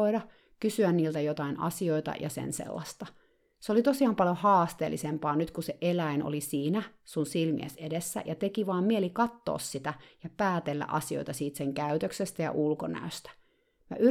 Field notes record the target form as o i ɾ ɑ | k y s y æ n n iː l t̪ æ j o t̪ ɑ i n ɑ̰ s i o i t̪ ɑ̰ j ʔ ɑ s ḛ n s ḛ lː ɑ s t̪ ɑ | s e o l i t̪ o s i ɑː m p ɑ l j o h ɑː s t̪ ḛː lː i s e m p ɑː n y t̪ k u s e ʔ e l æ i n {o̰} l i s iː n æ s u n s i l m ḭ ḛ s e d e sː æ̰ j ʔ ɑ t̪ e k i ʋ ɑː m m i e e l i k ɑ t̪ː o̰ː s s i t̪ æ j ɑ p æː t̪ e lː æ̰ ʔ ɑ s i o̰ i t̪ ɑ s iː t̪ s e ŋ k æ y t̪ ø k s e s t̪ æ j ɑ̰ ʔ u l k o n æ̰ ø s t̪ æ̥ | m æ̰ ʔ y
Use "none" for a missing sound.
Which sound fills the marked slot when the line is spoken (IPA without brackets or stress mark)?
o̰